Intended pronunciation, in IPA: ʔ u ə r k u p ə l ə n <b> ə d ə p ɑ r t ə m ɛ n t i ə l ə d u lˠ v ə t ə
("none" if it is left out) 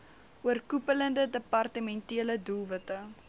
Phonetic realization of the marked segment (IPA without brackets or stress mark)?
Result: d